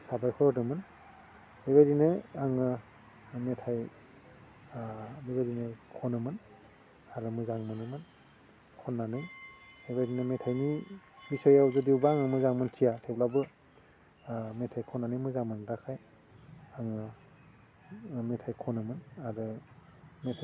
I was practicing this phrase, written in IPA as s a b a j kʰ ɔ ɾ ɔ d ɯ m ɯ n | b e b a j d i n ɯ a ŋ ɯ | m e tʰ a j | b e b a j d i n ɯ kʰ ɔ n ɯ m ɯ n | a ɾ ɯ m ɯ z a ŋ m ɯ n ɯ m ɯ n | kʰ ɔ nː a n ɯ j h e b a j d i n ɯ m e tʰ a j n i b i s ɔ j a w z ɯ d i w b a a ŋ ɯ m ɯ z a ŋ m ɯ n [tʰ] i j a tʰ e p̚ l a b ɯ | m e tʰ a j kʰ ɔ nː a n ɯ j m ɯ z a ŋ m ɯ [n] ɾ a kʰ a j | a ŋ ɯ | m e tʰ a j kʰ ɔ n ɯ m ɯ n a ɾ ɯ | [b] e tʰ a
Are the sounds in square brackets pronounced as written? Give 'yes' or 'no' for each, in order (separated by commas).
yes, yes, no